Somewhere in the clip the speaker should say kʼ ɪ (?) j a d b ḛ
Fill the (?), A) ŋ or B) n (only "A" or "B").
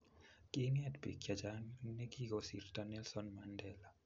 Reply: B